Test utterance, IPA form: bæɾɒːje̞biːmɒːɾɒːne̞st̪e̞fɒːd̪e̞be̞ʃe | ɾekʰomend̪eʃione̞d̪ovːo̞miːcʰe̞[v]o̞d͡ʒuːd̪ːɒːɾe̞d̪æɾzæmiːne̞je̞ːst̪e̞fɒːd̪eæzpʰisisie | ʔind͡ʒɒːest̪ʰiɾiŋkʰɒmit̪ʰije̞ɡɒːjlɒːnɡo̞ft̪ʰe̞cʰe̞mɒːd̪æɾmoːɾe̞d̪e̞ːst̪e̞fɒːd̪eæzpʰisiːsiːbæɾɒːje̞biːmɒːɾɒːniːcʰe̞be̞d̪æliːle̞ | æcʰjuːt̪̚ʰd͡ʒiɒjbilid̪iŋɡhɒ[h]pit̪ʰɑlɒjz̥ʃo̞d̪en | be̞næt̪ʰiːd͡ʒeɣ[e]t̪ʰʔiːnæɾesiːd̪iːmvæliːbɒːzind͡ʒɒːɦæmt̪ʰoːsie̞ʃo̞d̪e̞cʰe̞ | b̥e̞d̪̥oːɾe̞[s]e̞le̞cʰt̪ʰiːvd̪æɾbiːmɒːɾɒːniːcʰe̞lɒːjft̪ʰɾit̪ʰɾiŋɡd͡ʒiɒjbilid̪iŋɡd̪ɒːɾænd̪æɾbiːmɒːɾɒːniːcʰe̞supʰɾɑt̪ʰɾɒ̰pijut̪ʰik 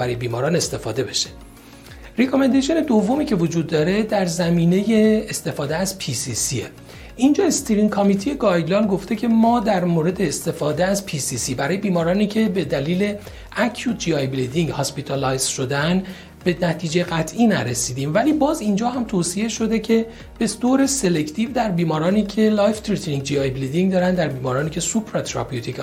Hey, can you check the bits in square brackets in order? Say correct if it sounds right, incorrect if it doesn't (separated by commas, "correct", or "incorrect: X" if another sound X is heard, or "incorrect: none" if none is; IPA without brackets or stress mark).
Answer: correct, incorrect: s, incorrect: æ, correct